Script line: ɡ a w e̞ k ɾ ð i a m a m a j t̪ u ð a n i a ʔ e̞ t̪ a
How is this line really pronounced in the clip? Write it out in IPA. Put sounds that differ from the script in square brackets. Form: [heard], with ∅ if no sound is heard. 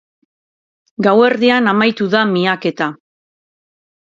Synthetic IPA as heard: ɡ a w e̞ [∅] ɾ ð i a [n] a m a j t̪ u ð a [m] i a [k] e̞ t̪ a